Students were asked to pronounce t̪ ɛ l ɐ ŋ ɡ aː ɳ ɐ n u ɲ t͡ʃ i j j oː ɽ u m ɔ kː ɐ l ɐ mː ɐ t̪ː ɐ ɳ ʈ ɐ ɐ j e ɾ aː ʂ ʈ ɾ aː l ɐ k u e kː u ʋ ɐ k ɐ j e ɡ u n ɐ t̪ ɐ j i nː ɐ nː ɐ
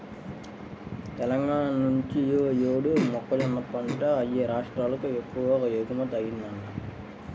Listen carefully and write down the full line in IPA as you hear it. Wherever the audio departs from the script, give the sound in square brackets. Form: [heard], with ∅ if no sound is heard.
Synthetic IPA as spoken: t̪ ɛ l ɐ ŋ ɡ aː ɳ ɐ n u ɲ t͡ʃ i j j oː ɽ u m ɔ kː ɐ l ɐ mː ɐ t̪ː ɐ ɳ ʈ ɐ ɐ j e ɾ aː ʂ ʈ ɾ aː l ɐ k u e kː u ʋ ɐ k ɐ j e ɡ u [m] ɐ t̪ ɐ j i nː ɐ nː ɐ